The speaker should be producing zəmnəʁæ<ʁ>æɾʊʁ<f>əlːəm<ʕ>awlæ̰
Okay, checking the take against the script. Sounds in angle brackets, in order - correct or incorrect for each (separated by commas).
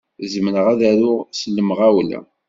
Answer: incorrect, incorrect, incorrect